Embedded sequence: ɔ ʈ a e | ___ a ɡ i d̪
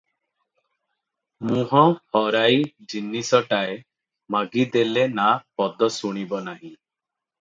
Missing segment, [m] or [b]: m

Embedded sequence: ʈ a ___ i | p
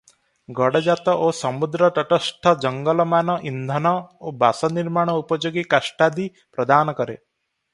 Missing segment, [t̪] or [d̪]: d̪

